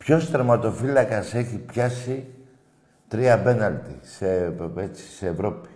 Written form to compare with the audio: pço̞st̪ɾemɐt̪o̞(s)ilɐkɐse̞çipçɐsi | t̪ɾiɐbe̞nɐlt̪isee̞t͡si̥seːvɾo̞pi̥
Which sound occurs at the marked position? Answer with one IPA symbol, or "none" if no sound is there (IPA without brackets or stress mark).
f